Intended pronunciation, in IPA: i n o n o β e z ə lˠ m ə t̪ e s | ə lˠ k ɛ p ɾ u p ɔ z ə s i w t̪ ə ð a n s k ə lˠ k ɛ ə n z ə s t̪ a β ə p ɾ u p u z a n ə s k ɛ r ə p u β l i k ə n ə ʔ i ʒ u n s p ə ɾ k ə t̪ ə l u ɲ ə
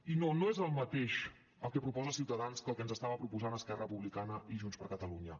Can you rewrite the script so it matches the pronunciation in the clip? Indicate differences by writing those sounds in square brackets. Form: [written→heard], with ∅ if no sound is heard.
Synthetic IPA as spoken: i n o n o [β→∅] e z ə lˠ m ə t̪ e [s→ʃ] | ə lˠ k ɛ p ɾ u p ɔ z ə s i w t̪ ə ð a n s k ə lˠ k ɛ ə n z ə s t̪ a β ə p ɾ u p u z a n ə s k ɛ r ə p u β l i k [ə→a] n ə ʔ i ʒ u n s p ə ɾ k ə t̪ ə l u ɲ ə